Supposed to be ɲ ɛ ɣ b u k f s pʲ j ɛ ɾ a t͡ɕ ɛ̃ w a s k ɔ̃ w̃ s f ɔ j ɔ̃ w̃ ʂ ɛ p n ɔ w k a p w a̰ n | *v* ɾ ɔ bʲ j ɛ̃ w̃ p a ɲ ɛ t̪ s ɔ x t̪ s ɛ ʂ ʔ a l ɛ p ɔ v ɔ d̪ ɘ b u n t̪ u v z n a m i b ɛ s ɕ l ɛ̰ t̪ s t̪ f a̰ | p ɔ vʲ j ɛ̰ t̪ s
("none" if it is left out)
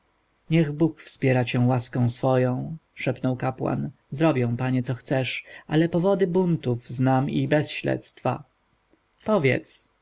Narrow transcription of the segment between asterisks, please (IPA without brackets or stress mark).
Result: z